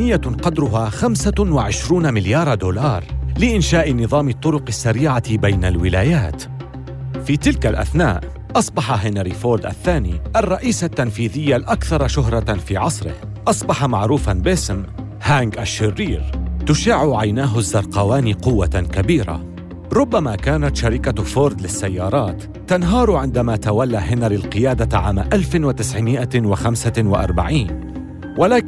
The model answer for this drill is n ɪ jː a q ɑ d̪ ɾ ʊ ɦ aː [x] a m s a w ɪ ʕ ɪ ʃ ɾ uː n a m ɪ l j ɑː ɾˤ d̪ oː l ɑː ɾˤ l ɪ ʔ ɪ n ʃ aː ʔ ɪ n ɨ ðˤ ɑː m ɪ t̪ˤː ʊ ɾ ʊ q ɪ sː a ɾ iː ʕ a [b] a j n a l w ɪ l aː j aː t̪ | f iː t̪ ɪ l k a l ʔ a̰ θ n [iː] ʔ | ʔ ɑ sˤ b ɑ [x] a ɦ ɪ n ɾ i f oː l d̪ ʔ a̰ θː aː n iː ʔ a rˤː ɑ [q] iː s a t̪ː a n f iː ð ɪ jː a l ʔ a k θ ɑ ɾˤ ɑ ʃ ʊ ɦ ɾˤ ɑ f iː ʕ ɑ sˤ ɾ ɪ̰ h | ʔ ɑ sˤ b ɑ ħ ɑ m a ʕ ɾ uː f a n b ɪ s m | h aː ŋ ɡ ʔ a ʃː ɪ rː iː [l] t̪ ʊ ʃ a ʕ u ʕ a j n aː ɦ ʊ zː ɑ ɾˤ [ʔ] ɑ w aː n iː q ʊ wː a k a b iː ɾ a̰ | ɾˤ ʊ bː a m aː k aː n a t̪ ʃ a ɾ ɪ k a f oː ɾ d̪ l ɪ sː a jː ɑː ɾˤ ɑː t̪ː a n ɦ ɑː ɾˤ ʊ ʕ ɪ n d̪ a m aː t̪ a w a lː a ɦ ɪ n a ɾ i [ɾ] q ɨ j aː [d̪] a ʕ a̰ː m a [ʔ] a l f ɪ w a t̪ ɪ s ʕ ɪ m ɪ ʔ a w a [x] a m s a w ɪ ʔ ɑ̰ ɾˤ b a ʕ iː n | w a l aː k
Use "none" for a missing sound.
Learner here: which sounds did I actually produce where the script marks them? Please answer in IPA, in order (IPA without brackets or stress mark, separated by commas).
x, b, aː, ħ, ʔ, ɾ, q, l, d̪, ʔ, x